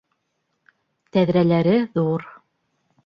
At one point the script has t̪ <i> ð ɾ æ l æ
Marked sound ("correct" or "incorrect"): incorrect